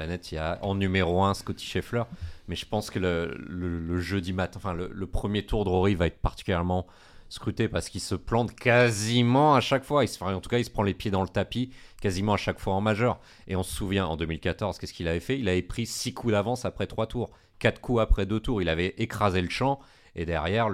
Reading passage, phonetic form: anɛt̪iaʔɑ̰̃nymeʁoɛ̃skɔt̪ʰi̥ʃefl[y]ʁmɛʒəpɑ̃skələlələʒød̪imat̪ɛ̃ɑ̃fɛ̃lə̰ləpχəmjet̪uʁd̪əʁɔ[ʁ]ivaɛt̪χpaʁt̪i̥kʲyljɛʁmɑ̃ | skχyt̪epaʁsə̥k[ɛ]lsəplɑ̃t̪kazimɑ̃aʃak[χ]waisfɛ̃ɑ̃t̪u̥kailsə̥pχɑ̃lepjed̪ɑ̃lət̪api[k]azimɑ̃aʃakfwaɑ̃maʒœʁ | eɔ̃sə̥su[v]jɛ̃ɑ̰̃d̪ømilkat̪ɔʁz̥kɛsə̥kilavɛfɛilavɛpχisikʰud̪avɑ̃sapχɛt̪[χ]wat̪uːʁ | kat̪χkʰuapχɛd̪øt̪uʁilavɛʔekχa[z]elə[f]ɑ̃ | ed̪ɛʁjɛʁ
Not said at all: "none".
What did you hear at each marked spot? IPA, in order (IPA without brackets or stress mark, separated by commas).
œ, ʁ, i, f, k, v, χ, z, ʃ